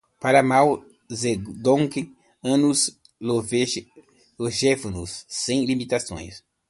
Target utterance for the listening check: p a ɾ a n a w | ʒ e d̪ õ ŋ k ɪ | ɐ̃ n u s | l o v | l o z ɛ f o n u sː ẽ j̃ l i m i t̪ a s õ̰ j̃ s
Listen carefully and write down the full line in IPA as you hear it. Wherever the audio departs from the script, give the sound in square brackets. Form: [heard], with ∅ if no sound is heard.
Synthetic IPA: p a ɾ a [m] a w | [z] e d̪ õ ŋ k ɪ | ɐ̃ n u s | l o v | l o [ʒ] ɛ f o n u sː ẽ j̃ l i m i t̪ a s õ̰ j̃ s